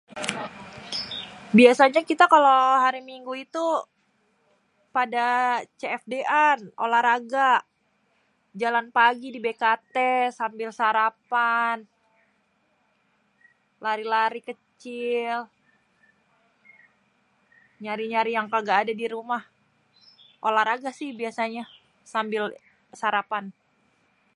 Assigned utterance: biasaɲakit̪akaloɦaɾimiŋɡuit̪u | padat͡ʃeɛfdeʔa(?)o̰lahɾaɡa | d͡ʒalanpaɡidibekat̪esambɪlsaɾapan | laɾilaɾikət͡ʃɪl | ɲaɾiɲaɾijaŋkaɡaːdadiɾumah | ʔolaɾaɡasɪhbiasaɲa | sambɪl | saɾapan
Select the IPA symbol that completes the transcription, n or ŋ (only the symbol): n